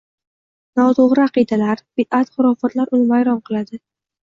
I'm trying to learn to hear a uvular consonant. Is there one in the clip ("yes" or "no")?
yes